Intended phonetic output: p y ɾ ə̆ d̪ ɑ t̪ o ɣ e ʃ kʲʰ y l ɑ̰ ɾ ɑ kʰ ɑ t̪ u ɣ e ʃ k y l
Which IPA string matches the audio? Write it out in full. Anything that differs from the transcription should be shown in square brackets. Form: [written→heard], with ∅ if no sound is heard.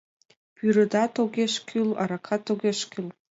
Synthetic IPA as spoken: p y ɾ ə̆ d̪ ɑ t̪ o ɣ e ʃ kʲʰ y l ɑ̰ ɾ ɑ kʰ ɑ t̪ [u→o] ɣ e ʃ k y l